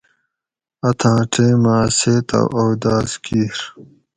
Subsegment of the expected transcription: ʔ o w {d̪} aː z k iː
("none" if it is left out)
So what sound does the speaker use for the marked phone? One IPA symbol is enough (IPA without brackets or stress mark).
d̪